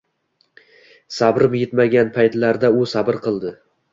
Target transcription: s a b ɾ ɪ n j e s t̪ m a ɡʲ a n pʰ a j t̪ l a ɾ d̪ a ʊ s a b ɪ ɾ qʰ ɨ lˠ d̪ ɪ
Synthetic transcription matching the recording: s a b ɾ ɪ m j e t̪ m a ɡʲ a n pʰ a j t̪ l a ɾ d̪ a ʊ s a b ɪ ɾ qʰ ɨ lˠ d̪ ɪ

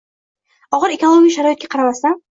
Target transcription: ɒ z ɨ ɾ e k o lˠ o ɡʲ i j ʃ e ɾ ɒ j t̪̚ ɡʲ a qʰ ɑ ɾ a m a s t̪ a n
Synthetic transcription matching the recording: ɒ ʁ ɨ ɾ e k o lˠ o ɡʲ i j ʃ a ɾ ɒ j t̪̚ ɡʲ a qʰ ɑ ɾ a m a s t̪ a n

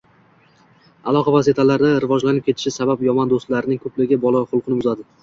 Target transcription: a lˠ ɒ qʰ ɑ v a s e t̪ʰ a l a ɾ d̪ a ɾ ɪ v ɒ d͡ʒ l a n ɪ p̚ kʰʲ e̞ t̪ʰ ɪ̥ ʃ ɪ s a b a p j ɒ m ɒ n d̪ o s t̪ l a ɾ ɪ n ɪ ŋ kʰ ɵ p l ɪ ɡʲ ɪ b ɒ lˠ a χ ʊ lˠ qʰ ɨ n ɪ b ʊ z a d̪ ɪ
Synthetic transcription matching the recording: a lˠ ɒ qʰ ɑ v a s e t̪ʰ a l a ɾ d̪ a ɾ ɪ v ɒ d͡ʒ l a n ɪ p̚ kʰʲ e̞ t̪ʰ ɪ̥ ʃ ɪ s a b a p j ɒ m ɒ n d̪ o s t̪ l a ɾ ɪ n ɪ ŋ kʰ ɵ p l ɪ ɡʲ ɪ b ɒ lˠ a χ ʊ lˠ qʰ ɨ n ɪ b ʊ z a d̪ ɪ

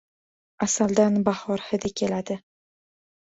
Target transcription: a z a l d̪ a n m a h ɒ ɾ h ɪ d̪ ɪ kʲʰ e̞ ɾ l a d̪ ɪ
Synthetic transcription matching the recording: a s a l d̪ a n b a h ɒ ɾ h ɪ d̪ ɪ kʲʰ e̞ l a d̪ ɪ

